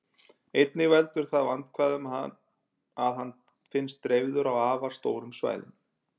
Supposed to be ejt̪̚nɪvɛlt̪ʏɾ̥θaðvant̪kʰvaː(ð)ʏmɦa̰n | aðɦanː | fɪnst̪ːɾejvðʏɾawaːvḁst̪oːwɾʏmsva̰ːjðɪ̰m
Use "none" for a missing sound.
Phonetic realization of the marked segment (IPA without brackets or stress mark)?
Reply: ð